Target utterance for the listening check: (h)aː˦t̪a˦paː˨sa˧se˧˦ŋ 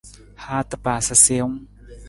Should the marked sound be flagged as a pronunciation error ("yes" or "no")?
no